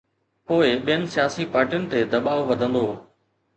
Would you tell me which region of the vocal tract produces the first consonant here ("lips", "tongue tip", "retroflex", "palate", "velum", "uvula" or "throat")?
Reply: lips